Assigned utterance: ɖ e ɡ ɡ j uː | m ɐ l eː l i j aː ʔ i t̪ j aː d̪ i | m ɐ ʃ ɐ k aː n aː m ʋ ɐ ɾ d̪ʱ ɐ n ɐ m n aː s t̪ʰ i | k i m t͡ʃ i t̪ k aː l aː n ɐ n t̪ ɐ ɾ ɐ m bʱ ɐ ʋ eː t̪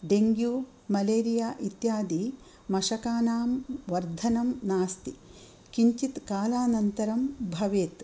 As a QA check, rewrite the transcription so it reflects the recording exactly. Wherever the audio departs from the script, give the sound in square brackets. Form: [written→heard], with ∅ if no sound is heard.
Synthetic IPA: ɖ e [ɡ→ŋ] ɡ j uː | m ɐ l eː [l→ɾ] i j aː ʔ i t̪ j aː d̪ i | m ɐ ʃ ɐ k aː n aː m ʋ ɐ ɾ d̪ʱ ɐ n ɐ m n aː s [t̪ʰ→t̪] i | k i [m→ɲ] t͡ʃ i t̪ k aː l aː n ɐ n t̪ ɐ ɾ ɐ m bʱ ɐ ʋ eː t̪